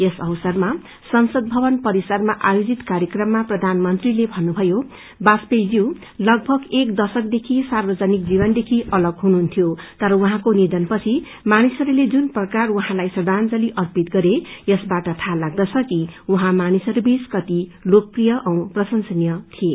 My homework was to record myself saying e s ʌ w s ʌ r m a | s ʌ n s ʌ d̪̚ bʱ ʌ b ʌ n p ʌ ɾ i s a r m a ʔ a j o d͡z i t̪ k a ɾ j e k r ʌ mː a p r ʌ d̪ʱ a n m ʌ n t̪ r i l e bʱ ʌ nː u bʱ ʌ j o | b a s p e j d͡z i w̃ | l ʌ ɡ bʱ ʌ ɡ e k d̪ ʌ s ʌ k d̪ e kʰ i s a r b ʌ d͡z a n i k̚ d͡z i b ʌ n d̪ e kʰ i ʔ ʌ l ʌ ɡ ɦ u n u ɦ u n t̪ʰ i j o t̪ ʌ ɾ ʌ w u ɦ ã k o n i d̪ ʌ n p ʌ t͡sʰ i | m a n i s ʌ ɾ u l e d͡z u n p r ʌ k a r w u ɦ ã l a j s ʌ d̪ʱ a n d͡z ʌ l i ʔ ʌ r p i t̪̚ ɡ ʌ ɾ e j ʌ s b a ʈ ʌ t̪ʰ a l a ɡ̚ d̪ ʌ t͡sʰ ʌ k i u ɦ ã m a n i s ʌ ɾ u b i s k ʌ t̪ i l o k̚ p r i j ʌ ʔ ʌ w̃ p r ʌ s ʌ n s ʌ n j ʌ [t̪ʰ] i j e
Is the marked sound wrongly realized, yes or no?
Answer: no